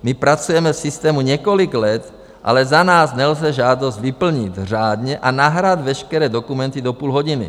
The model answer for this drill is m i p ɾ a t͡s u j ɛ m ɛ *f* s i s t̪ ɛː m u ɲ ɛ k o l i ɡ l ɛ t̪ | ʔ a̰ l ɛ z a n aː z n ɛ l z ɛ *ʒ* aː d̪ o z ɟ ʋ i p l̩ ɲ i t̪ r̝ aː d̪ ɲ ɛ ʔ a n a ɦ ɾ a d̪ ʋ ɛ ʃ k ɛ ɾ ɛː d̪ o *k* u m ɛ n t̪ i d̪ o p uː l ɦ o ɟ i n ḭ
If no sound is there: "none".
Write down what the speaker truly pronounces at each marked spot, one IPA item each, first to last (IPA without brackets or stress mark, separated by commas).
f, ʒ, k